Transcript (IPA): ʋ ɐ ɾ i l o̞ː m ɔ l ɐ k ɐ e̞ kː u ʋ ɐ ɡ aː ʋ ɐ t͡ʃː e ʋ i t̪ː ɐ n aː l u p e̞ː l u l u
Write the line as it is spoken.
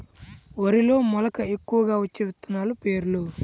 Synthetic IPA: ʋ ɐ ɾ i l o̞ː m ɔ l ɐ k ɐ e̞ kː u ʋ ɐ ɡ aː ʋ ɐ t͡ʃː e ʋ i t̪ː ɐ n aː l u p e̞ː ɾ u l u